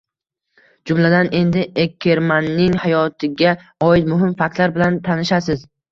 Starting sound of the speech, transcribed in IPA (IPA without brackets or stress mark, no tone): d͡ʒ